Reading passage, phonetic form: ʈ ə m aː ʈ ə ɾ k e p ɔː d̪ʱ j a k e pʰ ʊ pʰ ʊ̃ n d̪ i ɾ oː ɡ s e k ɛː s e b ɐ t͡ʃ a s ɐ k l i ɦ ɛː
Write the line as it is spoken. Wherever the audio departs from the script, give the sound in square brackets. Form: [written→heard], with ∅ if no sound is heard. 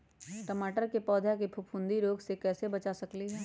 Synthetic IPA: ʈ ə m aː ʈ ə ɾ k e p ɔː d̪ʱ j a k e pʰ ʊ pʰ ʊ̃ n d̪ i ɾ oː ɡ s e k ɛː s e b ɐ t͡ʃ a s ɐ k l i ɦ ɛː